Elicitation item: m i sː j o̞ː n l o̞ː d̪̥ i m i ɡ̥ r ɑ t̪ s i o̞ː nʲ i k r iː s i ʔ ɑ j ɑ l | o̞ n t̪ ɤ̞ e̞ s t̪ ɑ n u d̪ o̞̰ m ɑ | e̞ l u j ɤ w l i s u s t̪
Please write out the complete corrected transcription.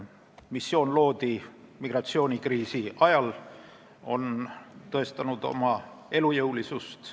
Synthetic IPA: m i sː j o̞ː n l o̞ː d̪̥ i m i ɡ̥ r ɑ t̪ s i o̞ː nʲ i k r iː s i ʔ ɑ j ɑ l | o̞ n t̪ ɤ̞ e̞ s t̪ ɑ n u d̪ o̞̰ m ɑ | e̞ l u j ɤ w l i s u s t̪